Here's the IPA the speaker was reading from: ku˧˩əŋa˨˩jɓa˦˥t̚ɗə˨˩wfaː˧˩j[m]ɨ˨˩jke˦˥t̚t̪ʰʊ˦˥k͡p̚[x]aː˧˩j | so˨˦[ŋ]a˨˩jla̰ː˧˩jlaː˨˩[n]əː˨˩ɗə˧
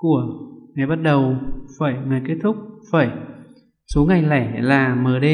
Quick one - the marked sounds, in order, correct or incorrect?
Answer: incorrect, incorrect, correct, incorrect

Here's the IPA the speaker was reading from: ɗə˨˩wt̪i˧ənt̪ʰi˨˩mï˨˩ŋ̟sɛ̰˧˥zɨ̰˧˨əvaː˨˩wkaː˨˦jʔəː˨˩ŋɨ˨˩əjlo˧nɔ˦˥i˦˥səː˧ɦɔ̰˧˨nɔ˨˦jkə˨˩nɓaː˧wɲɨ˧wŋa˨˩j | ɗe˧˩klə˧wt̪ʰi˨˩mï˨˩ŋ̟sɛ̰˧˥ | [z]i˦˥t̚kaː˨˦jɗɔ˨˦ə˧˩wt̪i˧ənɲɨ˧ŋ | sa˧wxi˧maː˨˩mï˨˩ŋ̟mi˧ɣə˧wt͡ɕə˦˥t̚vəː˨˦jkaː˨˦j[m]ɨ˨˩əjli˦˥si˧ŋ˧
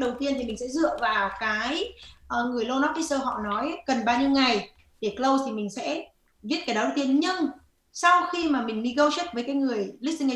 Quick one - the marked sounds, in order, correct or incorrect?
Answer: incorrect, incorrect

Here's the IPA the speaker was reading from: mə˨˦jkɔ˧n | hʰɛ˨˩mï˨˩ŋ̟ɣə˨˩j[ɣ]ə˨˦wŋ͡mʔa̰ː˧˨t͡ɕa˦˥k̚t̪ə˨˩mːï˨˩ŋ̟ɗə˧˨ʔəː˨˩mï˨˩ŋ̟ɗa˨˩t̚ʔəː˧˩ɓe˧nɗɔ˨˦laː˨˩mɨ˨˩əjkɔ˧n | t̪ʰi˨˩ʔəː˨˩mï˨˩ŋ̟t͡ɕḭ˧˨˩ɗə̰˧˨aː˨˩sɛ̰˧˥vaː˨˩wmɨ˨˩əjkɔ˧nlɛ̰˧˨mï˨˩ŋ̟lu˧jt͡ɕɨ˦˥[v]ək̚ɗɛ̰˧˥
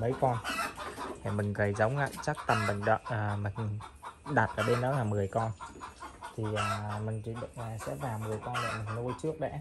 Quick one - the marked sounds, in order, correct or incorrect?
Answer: incorrect, incorrect

